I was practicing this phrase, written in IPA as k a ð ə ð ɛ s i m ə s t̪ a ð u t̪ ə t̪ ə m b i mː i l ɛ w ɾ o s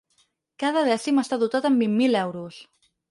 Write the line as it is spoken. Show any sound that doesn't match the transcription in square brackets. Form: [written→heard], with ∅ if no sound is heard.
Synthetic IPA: k a ð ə ð ɛ s i m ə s t̪ a ð u t̪ [ə→a] t̪ ə m b i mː i l ɛ w ɾ [o→u] s